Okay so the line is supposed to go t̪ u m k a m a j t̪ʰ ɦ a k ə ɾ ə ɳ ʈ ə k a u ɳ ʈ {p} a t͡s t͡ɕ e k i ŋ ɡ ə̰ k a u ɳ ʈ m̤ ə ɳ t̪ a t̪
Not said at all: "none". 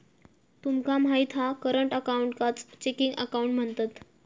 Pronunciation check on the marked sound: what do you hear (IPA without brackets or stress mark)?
k